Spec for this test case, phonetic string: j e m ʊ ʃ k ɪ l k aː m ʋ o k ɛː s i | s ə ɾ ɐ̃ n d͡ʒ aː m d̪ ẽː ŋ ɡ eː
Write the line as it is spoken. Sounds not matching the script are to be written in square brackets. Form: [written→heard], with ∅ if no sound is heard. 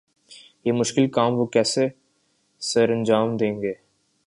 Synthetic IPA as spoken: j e m ʊ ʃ k ɪ l k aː m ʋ o k ɛː s [i→e] | s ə ɾ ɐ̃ n d͡ʒ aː m d̪ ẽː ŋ ɡ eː